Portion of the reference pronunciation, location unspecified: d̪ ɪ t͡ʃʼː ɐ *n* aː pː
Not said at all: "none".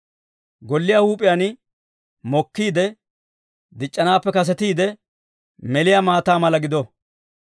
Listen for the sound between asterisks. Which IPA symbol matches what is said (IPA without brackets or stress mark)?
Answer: n